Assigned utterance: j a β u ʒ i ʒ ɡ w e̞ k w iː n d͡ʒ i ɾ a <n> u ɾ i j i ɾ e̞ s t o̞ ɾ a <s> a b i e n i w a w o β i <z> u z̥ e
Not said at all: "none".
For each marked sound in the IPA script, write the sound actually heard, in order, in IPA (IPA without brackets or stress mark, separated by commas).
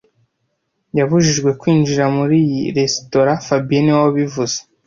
m, f, v